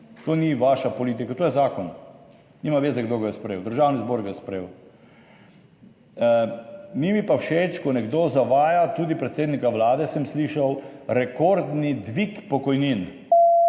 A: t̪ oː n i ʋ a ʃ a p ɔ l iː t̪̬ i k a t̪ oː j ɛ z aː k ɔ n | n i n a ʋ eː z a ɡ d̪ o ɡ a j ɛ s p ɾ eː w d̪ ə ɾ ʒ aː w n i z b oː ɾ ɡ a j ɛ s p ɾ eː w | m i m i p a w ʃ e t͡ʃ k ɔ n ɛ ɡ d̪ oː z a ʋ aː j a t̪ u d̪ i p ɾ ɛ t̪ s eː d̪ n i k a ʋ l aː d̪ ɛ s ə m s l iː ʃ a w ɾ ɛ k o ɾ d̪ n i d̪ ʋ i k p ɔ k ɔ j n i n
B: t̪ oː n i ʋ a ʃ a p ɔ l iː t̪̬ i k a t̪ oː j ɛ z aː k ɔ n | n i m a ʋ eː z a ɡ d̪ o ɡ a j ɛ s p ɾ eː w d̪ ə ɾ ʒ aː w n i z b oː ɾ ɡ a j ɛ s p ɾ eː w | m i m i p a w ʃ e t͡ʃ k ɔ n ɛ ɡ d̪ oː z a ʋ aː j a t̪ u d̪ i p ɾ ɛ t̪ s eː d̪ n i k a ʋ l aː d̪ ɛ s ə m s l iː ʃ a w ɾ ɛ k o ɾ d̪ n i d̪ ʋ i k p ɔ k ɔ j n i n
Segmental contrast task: B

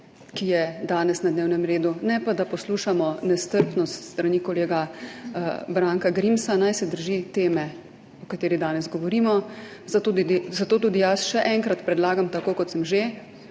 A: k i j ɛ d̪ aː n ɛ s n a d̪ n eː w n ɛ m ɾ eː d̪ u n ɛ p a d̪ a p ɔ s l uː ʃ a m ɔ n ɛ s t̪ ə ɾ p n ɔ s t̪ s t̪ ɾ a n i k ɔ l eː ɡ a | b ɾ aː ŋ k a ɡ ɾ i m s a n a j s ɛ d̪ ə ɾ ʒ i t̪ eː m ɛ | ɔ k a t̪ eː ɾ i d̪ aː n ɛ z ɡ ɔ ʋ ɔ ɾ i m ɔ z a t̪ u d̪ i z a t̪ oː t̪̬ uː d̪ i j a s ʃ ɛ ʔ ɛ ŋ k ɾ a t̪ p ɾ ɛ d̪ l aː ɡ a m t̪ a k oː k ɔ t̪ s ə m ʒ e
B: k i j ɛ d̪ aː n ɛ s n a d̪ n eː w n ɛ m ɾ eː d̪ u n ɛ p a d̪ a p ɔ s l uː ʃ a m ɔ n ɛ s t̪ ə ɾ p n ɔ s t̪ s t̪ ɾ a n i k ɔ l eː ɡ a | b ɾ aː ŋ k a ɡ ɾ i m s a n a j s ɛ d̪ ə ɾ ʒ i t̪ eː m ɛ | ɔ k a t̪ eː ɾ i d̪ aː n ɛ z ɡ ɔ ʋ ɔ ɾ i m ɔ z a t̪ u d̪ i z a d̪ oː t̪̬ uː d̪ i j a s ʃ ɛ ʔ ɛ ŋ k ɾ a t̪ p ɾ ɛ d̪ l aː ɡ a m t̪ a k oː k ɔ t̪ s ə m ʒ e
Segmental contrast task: A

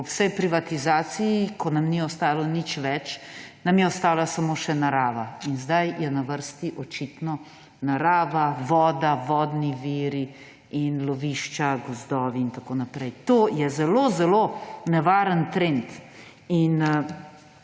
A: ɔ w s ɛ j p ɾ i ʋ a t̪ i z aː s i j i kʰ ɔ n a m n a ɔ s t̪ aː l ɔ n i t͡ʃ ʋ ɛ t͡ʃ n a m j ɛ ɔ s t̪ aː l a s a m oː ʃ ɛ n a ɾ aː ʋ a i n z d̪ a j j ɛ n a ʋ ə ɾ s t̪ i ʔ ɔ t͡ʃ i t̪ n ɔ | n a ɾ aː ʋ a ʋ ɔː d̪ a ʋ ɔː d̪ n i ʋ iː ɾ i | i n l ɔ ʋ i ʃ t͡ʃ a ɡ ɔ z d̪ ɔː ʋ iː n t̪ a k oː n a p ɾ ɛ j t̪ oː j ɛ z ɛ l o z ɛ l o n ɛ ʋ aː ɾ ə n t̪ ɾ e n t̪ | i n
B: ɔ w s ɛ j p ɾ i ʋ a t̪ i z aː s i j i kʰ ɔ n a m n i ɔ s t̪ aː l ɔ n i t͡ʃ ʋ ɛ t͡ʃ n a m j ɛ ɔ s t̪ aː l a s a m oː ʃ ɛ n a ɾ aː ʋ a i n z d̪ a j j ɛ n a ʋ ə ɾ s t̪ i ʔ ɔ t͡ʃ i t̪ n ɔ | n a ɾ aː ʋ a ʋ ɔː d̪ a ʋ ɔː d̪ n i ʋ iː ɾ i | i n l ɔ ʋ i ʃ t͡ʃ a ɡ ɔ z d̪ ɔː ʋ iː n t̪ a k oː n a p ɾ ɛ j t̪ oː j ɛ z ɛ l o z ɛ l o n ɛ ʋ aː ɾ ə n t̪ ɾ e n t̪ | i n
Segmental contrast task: B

